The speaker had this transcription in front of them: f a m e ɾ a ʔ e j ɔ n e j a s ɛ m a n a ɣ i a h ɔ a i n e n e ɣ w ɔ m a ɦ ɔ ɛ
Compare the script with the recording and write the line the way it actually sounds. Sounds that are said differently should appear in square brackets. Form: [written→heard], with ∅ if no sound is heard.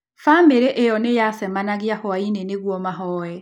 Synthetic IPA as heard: f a m e ɾ [a→e] ʔ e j ɔ n e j a s ɛ m a n a ɣ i a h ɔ a i n e n e ɣ w ɔ m a ɦ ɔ ɛ